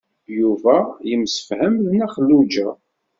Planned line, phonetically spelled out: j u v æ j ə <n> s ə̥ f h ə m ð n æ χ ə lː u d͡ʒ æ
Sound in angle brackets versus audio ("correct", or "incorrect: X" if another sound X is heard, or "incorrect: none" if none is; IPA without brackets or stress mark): incorrect: m